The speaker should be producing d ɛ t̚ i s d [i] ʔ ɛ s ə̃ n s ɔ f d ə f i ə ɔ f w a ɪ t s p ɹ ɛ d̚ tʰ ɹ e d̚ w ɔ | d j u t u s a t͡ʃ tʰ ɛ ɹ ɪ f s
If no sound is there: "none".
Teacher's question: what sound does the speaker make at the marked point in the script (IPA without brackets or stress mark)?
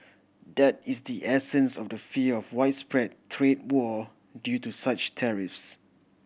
i